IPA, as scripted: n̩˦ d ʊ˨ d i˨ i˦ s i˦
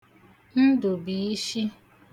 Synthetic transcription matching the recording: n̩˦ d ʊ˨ b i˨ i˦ ʃ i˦